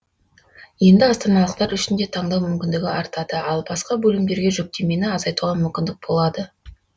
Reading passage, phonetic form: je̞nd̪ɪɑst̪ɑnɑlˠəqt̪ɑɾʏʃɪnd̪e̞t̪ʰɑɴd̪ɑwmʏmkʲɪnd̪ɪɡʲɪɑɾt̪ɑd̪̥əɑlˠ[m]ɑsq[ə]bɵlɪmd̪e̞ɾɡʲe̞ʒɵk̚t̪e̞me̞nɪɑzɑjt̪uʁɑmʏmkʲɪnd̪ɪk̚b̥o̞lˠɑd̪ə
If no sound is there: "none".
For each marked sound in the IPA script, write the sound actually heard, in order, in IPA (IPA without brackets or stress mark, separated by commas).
b, ɑ